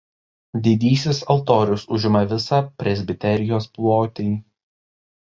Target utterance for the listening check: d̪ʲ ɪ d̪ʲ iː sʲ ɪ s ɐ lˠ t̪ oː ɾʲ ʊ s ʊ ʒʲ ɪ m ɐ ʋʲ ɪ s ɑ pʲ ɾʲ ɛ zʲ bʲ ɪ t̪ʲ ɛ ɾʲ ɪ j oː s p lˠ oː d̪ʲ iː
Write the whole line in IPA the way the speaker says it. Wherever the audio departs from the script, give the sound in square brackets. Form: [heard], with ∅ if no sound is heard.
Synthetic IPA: d̪ʲ ɪ d̪ʲ iː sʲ ɪ s ɐ lˠ t̪ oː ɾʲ ʊ s ʊ ʒʲ ɪ m ɐ ʋʲ ɪ s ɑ pʲ ɾʲ ɛ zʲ bʲ ɪ t̪ʲ ɛ ɾʲ ɪ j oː s p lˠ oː [t̪ʲ] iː

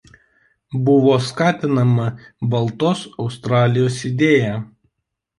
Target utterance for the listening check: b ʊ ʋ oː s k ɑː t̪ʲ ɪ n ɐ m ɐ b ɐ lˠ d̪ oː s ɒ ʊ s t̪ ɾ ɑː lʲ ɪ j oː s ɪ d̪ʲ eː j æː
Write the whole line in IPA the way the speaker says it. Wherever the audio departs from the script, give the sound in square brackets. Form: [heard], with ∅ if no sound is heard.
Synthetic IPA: b ʊ ʋ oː s k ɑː t̪ʲ ɪ n ɐ m ɐ b ɐ lˠ [t̪] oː s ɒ ʊ s t̪ ɾ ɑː lʲ ɪ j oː s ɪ d̪ʲ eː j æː

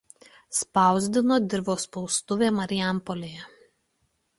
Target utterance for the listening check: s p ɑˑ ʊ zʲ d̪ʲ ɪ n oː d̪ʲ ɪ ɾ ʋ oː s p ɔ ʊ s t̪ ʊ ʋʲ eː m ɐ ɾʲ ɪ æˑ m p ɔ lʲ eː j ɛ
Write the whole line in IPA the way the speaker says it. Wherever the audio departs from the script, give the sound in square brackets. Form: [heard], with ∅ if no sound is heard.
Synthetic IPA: s p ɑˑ ʊ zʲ d̪ʲ ɪ n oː d̪ʲ ɪ ɾ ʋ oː s p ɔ ʊ s t̪ ʊ ʋʲ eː m ɐ ɾʲ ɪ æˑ m p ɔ lʲ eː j ɛ

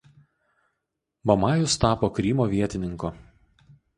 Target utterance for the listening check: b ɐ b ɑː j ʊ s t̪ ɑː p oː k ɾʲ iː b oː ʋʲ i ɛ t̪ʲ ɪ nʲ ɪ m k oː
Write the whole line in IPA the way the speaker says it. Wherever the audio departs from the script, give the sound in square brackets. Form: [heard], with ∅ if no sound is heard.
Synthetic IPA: b ɐ [m] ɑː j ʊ s t̪ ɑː p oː k ɾʲ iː [m] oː ʋʲ i ɛ t̪ʲ ɪ nʲ ɪ [ŋ] k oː

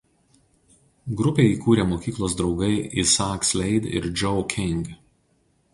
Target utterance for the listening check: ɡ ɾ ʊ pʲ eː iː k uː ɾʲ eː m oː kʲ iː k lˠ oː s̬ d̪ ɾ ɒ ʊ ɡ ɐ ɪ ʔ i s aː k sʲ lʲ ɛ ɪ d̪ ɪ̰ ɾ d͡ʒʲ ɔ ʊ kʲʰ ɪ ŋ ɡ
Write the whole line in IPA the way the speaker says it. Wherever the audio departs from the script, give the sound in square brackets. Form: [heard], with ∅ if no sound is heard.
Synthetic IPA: ɡ ɾ ʊ pʲ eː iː k uː ɾʲ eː m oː kʲ iː k lˠ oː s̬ d̪ ɾ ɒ ʊ ɡ ɐ ɪ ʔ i s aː k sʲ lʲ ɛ ɪ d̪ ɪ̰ ɾ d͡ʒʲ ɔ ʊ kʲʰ ɪ ŋ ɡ

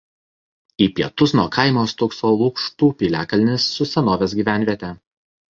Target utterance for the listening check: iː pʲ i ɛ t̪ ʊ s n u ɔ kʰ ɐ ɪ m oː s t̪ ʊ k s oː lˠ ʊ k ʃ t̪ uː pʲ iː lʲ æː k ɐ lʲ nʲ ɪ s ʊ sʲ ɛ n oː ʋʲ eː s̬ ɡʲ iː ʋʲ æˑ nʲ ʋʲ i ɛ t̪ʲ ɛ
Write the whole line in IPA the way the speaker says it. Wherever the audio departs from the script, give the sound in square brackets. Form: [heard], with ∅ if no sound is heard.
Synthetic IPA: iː pʲ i ɛ t̪ ʊ s n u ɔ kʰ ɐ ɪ m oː s t̪ ʊ k s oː lˠ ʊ k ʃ t̪ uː pʲ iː lʲ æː k ɐ lʲ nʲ ɪ [sː] ʊ sʲ ɛ n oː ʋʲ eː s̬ ɡʲ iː ʋʲ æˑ nʲ ʋʲ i ɛ t̪ʲ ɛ

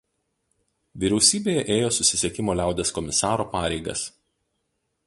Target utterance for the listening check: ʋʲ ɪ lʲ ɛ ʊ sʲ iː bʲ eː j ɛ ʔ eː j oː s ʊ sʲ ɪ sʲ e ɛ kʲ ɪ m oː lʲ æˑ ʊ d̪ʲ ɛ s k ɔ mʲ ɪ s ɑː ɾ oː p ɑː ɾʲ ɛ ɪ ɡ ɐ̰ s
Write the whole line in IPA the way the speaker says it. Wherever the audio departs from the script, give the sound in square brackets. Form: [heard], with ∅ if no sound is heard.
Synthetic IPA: ʋʲ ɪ [ɾʲ] ɛ ʊ sʲ iː bʲ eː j ɛ ʔ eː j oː s ʊ sʲ ɪ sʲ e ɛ kʲ ɪ m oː lʲ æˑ ʊ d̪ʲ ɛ s k ɔ mʲ ɪ s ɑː ɾ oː p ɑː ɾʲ ɛ ɪ ɡ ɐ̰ s

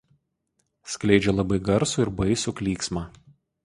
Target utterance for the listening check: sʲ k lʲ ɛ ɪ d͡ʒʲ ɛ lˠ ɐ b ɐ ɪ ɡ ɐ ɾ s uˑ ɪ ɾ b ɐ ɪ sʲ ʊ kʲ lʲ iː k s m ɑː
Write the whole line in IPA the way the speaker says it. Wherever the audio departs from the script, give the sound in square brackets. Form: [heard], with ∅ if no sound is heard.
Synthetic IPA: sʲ k lʲ ɛ ɪ d͡ʒʲ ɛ lˠ ɐ b ɐ ɪ ɡ ɐ ɾ s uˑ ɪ ɾ b ɐ ɪ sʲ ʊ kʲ lʲ iː k s m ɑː

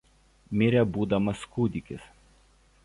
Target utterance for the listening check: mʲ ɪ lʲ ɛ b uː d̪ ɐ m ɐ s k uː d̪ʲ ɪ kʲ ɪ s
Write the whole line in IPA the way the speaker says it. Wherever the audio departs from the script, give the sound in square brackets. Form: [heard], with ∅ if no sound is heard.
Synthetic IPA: mʲ ɪ [ɾʲ] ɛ b uː d̪ ɐ m ɐ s k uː d̪ʲ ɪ kʲ ɪ s

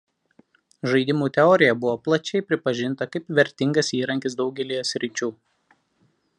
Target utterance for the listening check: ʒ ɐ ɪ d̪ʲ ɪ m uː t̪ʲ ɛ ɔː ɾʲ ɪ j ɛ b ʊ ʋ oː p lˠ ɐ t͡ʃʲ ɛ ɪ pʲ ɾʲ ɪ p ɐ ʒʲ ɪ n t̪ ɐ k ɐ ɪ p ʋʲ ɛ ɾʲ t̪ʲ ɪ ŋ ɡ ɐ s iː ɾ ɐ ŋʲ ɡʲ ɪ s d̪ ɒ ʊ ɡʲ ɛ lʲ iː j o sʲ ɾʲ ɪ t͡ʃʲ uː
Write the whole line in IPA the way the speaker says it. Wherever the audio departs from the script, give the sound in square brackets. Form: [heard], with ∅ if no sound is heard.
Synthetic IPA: ʒ ɐ ɪ d̪ʲ ɪ m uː t̪ʲ ɛ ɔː ɾʲ ɪ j ɛ b ʊ ʋ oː p lˠ ɐ t͡ʃʲ ɛ ɪ pʲ ɾʲ ɪ p ɐ ʒʲ ɪ n t̪ ɐ k ɐ ɪ p ʋʲ ɛ ɾʲ t̪ʲ ɪ ŋ ɡ ɐ s iː ɾ ɐ ŋʲ [kʲ] ɪ s d̪ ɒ ʊ ɡʲ ɛ lʲ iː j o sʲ ɾʲ ɪ t͡ʃʲ uː

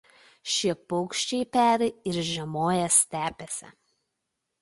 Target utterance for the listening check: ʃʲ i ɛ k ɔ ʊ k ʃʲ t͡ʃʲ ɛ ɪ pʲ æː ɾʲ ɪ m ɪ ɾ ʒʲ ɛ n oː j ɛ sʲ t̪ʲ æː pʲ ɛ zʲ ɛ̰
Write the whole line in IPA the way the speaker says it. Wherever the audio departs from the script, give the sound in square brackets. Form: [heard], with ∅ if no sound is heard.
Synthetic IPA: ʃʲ i ɛ [p] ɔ ʊ k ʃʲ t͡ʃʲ ɛ ɪ pʲ æː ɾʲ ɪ [∅] ɪ ɾ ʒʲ ɛ [m] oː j ɛ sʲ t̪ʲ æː pʲ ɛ [sʲ] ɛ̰

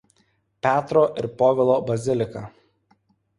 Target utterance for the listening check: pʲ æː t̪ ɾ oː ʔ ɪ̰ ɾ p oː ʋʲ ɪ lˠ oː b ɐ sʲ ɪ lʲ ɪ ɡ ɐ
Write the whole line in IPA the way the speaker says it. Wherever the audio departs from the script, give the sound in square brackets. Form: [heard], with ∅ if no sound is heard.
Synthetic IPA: pʲ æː t̪ ɾ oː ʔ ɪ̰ ɾ p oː ʋʲ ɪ lˠ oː b ɐ [zʲ] ɪ lʲ ɪ [k] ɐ

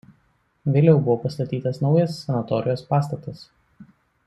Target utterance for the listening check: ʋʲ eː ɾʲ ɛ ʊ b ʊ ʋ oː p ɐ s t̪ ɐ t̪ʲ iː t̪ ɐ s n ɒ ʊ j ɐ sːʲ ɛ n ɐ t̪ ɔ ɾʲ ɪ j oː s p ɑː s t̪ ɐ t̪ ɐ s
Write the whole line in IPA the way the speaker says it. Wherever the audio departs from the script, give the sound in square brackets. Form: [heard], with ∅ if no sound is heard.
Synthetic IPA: ʋʲ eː [lʲ] ɛ ʊ b ʊ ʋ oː p ɐ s t̪ ɐ t̪ʲ iː t̪ ɐ s n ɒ ʊ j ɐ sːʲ ɛ n ɐ t̪ ɔ ɾʲ ɪ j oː s p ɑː s t̪ ɐ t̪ ɐ s

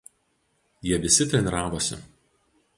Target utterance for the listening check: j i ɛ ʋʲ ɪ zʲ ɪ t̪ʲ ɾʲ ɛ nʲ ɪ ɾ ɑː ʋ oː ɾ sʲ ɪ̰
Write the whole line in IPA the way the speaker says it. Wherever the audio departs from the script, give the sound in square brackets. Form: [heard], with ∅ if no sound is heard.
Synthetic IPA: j i ɛ ʋʲ ɪ [sʲ] ɪ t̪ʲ ɾʲ ɛ nʲ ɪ ɾ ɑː ʋ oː [∅] sʲ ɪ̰

